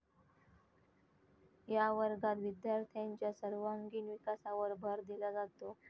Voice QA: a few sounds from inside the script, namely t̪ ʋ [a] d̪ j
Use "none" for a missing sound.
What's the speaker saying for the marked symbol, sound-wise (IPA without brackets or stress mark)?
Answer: i